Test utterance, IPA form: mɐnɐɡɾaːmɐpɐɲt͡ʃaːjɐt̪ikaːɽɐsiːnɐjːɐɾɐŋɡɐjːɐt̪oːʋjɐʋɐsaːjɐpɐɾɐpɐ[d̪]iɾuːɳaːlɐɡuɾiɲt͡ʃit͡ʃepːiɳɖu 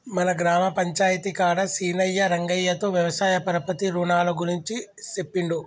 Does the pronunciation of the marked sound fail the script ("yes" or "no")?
yes